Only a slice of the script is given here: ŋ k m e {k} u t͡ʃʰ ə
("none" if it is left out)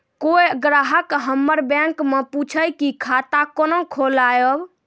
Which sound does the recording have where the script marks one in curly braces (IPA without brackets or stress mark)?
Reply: p